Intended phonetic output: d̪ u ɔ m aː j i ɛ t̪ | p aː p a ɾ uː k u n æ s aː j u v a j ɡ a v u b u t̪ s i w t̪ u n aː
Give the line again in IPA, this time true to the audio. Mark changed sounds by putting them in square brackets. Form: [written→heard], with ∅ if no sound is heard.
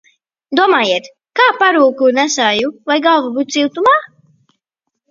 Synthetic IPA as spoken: d̪ u ɔ m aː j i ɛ t̪ | [p→k] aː p a ɾ uː k u n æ s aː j u v a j ɡ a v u b u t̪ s i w t̪ u [n→m] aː